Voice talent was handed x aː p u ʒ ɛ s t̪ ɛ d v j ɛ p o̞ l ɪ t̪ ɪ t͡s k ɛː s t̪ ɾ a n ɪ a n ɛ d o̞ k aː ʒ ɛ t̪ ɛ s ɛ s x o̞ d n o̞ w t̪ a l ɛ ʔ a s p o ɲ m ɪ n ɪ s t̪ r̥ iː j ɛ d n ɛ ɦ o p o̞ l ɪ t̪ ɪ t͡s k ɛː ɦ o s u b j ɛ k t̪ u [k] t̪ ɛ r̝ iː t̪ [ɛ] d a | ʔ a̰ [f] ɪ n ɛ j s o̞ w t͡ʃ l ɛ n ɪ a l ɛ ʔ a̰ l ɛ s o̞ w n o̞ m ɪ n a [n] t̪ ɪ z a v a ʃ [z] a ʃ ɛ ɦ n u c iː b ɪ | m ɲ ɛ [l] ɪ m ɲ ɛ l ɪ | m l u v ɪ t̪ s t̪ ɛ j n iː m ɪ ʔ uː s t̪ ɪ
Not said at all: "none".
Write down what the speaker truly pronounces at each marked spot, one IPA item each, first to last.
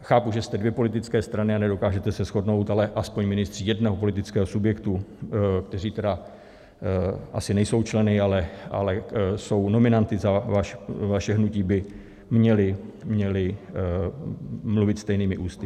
k, ɛ, s, n, v, l

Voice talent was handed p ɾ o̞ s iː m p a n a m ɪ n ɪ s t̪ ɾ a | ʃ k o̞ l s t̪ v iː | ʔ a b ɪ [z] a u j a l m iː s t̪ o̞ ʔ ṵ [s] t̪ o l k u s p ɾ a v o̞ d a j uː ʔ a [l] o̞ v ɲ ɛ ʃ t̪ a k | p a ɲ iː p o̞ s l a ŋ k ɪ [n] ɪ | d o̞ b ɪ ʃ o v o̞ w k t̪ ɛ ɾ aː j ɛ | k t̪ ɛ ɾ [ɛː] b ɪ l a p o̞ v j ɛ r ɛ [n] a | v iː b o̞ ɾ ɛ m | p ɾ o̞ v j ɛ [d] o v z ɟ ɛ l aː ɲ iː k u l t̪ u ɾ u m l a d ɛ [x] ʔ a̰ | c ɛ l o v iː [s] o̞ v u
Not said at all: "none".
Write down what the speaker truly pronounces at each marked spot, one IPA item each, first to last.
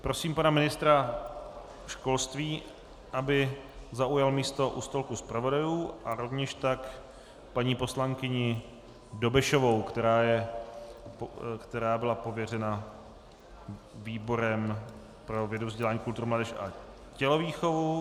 z, s, ɾ, ɲ, aː, n, d, ʃ, x

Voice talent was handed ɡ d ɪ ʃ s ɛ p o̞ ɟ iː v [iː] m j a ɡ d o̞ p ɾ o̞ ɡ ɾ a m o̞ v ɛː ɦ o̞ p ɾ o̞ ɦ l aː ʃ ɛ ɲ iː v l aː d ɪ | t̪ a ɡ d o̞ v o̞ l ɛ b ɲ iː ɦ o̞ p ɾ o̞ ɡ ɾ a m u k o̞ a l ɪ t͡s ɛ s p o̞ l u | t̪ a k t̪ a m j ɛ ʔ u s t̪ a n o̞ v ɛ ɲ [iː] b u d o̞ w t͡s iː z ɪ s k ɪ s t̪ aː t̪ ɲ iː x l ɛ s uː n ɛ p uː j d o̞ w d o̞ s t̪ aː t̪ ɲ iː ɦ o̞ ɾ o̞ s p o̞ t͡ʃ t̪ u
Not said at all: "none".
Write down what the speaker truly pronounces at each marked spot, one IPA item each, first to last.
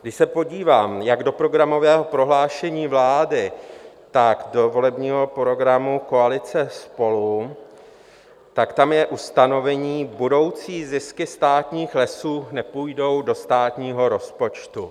aː, iː

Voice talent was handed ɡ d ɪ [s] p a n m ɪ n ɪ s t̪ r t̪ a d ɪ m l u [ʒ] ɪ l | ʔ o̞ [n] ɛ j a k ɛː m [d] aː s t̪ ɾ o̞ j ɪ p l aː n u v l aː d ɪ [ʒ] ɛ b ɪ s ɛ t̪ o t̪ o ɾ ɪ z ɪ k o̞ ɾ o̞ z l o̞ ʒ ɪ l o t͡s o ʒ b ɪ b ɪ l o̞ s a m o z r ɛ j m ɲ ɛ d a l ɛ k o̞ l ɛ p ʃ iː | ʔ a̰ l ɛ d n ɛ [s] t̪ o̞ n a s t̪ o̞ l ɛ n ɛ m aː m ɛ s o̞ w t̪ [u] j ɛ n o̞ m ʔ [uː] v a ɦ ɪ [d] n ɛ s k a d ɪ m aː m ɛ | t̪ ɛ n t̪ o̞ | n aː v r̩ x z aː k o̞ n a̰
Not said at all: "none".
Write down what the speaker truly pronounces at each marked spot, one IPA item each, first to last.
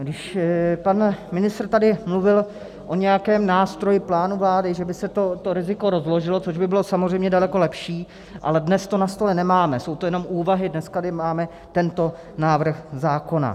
ʃ, v, ɲ, n, ʒ, s, o, uː, d

